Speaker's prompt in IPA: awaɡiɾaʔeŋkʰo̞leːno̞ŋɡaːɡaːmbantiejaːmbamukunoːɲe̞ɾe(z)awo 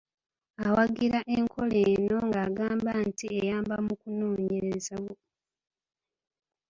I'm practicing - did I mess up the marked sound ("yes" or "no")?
no